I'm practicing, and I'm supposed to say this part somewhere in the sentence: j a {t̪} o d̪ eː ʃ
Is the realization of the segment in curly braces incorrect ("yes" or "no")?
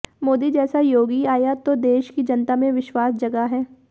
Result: no